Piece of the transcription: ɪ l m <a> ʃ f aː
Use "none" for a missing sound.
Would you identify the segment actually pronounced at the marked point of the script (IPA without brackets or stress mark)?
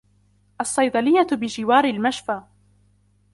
a